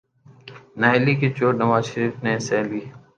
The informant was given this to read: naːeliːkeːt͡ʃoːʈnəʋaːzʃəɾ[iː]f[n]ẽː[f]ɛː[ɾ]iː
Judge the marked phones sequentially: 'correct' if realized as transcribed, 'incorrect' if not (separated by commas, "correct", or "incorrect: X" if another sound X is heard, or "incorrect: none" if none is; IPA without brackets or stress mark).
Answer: correct, correct, incorrect: s, incorrect: l